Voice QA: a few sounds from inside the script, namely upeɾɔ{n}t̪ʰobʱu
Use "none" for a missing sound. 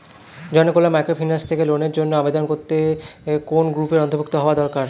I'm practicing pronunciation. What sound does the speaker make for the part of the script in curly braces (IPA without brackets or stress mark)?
n